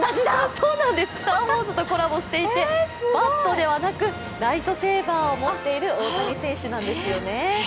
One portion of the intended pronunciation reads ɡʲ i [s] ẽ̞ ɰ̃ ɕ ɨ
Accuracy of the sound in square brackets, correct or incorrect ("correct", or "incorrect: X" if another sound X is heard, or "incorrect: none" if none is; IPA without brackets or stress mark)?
correct